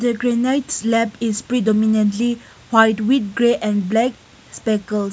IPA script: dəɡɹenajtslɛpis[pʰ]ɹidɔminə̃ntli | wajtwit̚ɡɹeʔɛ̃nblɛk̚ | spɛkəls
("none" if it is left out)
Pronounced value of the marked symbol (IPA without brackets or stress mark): p